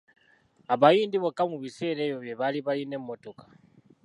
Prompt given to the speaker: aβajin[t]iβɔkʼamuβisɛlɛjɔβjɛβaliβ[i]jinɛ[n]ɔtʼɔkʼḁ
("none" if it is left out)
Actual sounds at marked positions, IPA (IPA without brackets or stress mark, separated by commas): d, a, m